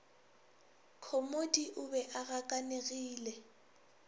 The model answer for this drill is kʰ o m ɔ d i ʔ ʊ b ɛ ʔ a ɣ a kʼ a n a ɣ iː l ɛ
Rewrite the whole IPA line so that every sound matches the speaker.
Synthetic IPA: kʰ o m o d i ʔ ʊ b ɛ ʔ a ɣ a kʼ a n e ɣ iː l ɛ

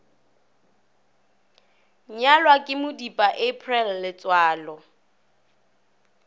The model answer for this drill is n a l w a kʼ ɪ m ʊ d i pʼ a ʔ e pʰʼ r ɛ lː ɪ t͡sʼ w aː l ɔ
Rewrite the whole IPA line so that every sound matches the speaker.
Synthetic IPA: ɲ a l w a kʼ ɪ m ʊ d i pʼ a ʔ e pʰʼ r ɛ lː ɪ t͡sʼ w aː l ɔ

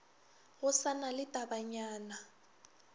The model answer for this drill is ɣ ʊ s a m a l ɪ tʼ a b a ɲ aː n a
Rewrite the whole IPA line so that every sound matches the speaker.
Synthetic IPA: ɣ ʊ s a n a l ɪ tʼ a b a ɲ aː n a

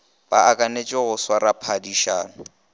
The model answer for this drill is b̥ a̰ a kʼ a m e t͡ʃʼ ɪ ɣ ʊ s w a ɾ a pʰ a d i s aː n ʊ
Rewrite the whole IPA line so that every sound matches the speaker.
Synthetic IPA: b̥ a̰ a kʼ a n e t͡ʃʼ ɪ ɣ ʊ s w a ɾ a pʰ a d i ʃ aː n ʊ

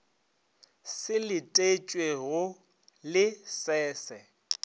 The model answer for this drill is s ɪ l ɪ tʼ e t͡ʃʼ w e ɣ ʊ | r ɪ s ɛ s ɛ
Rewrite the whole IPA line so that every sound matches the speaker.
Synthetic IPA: s ɪ l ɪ tʼ e t͡ʃʼ w e ɣ ʊ | l ɪ s ɛː s ɛ

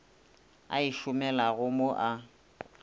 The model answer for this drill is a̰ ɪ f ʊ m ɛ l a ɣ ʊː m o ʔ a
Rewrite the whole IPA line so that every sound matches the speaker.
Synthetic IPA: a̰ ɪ ʃ ʊ m ɛ l a ɣ ʊ m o ʔ a

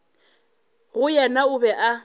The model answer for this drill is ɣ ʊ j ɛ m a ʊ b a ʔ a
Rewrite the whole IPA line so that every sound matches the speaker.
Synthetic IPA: ɣ ʊ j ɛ n a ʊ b ɛ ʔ a

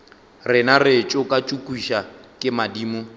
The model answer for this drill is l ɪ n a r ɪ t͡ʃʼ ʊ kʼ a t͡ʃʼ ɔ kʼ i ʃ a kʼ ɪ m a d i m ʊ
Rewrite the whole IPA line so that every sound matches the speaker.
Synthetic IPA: r ɪ n a r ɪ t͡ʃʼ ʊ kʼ a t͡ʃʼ u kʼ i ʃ a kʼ ɪ m a d iː m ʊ

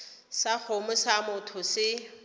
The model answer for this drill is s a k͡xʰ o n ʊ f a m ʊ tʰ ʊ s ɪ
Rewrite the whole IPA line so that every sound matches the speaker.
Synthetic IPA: s a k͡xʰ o m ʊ s a m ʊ tʰ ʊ s ɪ

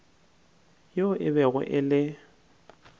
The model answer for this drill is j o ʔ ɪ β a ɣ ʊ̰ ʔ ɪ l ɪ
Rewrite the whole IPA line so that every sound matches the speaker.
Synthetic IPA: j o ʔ ɪ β ɛ ɣ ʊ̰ ʔ ɪ l ɪ

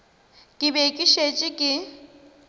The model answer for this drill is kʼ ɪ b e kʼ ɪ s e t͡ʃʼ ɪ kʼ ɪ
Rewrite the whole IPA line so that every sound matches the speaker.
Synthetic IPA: kʼ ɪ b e kʼ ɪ ʃ e t͡ʃʼ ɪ kʼ ɪ

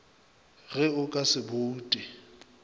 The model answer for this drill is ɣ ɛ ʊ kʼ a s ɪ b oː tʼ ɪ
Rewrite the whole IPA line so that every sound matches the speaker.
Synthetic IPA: ɣ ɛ ʊ kʼ a s ɪ b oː tʼ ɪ

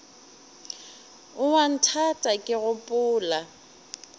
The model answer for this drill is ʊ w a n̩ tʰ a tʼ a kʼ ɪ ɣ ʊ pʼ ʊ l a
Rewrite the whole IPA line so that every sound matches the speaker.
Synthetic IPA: ʊ w a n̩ tʰ a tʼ a kʼ ɪ ɣ ʊ pʼ ʊː l a

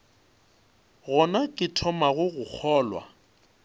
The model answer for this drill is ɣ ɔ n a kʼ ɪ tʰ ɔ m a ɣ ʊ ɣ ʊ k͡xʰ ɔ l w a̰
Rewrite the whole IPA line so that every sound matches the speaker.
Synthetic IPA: ɣ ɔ n a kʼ ɪ tʰ ɔ m a ɣ ʊ ɣ ʊ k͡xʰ ɔː l w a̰

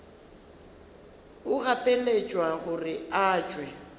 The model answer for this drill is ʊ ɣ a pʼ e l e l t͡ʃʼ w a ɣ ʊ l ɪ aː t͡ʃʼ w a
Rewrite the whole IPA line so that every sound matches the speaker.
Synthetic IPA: ʊ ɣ a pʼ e l e t͡ʃʼ w a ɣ ʊ r ɪ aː t͡ʃʼ w ɛ

